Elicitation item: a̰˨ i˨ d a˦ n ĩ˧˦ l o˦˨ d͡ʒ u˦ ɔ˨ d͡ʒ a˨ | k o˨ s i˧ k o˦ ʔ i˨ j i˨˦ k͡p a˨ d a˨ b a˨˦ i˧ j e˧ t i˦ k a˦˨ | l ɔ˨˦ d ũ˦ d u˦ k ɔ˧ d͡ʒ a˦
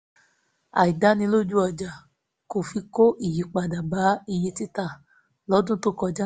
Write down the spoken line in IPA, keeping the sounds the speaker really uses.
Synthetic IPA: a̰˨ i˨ d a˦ n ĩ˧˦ l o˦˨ d͡ʒ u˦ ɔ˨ d͡ʒ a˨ | k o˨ f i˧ k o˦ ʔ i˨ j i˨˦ k͡p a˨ d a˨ b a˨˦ i˧ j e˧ t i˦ t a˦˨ | l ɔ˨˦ d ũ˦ t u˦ k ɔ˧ d͡ʒ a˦